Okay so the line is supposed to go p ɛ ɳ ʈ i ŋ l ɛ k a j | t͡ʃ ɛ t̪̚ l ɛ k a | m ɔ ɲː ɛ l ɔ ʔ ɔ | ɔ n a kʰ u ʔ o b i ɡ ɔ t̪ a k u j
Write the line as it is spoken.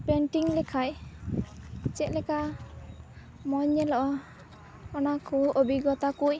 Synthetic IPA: p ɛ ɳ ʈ i ŋ l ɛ kʰ a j | t͡ʃ ɛ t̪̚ l ɛ k a | m ɔ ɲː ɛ l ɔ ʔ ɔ | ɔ n a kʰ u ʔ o b i ɡ ɔ t̪ a k u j